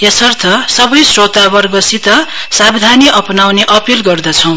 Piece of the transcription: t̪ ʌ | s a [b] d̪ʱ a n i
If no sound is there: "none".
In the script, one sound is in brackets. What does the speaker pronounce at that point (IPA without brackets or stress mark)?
b